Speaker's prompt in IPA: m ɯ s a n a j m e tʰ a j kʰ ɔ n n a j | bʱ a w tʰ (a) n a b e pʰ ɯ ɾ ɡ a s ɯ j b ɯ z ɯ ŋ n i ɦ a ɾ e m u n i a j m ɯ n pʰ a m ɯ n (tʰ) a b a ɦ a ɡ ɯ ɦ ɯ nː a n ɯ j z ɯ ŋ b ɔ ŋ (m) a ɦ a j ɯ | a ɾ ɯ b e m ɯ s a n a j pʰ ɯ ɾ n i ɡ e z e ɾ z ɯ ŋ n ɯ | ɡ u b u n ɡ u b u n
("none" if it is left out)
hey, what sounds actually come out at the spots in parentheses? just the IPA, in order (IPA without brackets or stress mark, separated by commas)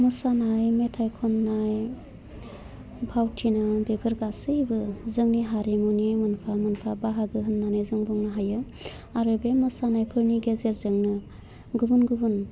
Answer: i, pʰ, n